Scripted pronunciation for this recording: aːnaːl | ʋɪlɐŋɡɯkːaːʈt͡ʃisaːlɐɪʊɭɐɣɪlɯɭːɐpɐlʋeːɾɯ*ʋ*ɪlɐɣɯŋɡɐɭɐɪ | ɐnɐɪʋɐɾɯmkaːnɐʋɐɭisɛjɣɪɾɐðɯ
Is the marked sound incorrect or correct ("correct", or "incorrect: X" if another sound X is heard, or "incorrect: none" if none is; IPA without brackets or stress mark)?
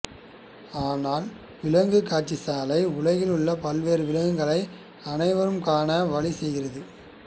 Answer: correct